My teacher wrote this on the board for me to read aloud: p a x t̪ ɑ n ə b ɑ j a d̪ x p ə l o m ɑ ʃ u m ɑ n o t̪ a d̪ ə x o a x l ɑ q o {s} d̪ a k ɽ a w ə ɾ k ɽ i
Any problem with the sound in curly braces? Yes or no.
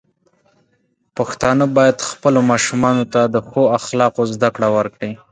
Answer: yes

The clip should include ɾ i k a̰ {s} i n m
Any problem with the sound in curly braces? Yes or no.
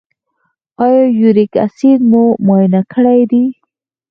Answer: no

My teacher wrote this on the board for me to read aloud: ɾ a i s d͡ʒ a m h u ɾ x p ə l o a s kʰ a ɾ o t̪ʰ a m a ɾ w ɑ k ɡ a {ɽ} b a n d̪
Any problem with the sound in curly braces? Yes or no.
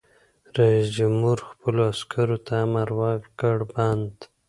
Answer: no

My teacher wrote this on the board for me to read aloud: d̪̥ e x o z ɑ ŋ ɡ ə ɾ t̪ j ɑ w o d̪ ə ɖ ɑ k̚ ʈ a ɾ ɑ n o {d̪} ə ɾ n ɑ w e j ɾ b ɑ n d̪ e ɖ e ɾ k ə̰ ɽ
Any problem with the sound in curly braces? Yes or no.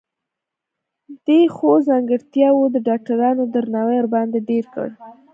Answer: no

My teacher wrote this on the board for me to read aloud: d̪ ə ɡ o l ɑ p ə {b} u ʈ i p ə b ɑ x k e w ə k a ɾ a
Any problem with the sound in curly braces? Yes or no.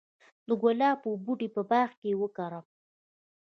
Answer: no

